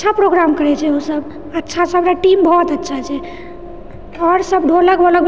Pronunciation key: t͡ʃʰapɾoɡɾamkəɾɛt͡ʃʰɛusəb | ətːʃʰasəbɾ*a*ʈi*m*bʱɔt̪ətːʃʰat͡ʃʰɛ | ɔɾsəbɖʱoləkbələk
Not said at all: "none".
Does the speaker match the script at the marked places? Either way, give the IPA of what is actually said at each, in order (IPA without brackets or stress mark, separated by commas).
a, m